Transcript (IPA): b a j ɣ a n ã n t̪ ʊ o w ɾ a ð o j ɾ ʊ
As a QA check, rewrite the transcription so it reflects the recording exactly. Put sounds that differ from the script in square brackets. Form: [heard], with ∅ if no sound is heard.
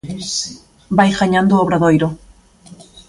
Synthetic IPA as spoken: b a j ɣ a [ɲ] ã n [d̪] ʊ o [β] ɾ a ð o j ɾ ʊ